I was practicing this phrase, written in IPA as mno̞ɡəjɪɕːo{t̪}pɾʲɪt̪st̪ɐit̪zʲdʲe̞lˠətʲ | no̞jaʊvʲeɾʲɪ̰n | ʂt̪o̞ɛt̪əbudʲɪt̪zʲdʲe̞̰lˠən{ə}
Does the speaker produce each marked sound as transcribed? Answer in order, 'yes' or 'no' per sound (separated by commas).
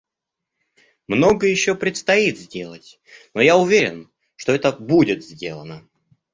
no, yes